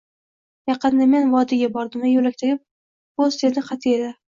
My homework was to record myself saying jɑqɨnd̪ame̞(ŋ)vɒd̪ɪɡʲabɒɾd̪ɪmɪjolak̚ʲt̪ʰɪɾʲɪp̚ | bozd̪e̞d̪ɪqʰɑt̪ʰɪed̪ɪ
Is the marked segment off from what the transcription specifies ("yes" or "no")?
yes